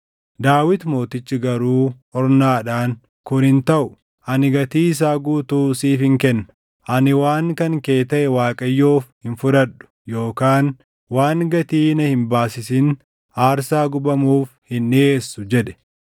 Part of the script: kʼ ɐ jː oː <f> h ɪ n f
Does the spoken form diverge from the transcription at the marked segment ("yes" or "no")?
no